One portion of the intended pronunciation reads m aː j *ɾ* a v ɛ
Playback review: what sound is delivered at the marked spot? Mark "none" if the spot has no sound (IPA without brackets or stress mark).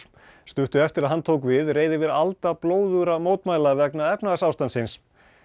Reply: l